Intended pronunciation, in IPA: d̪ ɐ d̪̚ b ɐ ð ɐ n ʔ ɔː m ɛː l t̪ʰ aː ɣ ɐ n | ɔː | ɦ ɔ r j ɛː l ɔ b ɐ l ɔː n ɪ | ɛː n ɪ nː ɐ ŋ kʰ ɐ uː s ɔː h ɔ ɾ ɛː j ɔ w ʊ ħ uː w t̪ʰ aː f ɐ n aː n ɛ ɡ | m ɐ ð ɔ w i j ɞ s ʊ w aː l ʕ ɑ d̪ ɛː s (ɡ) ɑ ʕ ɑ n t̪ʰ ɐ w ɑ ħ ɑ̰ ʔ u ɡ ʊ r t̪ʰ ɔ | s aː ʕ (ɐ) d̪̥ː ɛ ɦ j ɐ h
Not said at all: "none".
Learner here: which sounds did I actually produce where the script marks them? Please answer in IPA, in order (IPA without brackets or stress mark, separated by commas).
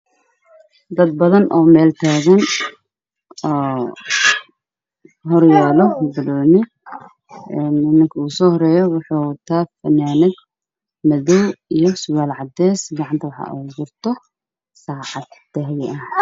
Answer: ɡ, ɑ